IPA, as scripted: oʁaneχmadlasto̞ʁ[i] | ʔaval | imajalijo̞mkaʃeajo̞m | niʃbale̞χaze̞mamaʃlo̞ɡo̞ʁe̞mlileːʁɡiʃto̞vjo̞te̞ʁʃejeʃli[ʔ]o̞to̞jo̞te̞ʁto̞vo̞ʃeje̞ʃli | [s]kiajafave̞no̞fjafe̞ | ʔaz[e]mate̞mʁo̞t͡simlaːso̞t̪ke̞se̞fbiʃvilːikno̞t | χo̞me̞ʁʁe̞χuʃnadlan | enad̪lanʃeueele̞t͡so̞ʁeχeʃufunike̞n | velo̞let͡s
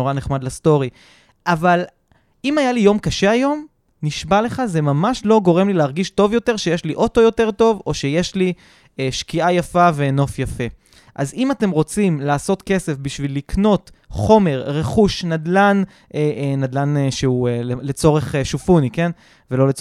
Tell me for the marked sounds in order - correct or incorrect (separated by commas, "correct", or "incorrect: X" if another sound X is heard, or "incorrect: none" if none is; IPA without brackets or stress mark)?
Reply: correct, correct, incorrect: ʃ, incorrect: i